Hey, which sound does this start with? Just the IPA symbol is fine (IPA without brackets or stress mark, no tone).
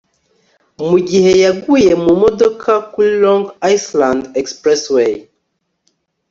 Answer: m